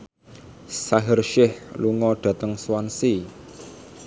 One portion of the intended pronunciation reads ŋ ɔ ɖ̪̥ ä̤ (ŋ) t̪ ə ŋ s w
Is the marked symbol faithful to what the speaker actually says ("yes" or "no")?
no